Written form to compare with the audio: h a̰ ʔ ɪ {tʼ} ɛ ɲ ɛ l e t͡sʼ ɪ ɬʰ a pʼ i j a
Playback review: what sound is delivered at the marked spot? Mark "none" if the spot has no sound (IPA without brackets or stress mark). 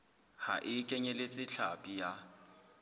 kʼ